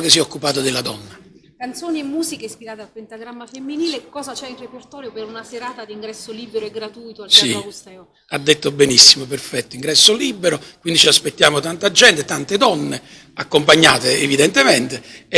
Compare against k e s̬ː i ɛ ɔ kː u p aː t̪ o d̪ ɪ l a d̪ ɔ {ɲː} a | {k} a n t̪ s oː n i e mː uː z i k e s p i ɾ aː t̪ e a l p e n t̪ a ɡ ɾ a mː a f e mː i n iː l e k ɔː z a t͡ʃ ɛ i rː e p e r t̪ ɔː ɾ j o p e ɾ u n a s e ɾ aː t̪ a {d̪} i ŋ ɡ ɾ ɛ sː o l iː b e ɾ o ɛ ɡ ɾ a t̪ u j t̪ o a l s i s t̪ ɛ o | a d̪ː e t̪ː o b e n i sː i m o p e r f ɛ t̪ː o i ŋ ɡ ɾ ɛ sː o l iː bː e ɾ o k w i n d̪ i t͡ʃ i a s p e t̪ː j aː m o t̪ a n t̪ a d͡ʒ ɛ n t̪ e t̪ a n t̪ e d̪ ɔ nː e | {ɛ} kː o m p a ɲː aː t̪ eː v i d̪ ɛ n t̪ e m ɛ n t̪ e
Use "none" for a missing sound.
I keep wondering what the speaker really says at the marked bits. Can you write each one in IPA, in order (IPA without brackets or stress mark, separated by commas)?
nː, k, d̪, a